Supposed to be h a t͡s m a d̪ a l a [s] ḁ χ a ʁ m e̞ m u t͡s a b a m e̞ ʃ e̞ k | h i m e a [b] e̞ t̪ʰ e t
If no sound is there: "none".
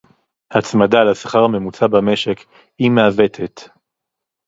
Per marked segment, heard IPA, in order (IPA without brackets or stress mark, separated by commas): s, v